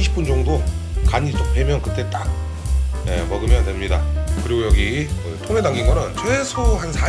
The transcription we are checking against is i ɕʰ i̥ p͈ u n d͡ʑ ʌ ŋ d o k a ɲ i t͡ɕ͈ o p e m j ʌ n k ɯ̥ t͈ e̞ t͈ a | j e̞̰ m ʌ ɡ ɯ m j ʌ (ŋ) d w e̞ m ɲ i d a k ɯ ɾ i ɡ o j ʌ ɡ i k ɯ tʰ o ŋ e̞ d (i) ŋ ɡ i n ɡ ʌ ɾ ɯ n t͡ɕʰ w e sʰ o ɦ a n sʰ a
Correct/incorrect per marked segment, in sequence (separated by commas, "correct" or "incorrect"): incorrect, incorrect